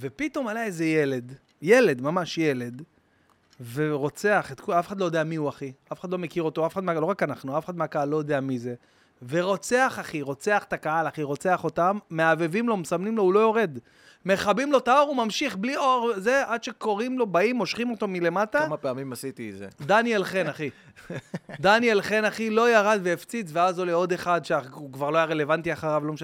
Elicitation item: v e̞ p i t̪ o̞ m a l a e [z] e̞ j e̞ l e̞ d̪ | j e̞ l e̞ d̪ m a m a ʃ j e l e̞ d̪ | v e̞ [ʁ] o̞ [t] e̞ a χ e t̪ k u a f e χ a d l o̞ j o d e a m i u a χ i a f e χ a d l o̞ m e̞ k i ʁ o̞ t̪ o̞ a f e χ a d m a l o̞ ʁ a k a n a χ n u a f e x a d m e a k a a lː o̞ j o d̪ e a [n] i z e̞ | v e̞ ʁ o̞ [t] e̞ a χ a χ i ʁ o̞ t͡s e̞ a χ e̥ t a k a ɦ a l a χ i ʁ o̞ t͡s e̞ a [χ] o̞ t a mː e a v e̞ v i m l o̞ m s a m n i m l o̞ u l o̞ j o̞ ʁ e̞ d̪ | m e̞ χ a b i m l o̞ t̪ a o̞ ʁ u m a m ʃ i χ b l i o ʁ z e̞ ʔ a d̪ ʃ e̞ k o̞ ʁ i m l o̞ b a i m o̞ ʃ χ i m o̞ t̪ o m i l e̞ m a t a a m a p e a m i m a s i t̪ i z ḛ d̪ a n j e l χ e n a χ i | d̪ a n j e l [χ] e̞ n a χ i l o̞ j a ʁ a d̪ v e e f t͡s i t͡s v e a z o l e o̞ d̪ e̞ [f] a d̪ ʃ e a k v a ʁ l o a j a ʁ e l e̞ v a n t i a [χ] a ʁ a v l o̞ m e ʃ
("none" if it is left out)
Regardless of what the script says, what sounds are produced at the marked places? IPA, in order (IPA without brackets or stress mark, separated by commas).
z, ʁ, t͡s, m, t͡s, χ, χ, χ, χ